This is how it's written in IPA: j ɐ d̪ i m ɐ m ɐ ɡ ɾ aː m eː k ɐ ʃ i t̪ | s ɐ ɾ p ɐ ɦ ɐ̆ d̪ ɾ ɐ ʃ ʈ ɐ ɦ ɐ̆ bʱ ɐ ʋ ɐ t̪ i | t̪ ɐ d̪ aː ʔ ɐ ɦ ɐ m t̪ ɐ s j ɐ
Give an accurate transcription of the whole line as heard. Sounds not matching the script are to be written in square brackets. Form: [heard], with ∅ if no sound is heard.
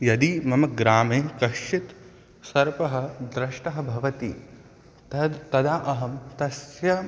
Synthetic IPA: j ɐ d̪ i m ɐ m ɐ ɡ ɾ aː m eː k ɐ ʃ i t̪ | s ɐ ɾ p ɐ ɦ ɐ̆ d̪ ɾ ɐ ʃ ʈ ɐ ɦ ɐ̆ bʱ ɐ ʋ ɐ t̪ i | t̪ ɐ d̪ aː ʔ ɐ ɦ ɐ m t̪ ɐ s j ɐ